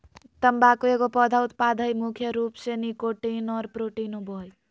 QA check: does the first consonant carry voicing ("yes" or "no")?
no